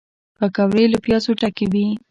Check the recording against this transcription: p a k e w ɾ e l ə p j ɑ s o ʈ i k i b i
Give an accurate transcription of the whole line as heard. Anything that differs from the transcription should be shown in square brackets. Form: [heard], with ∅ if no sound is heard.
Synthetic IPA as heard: p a k [a] w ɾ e l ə p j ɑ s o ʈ [a] k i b i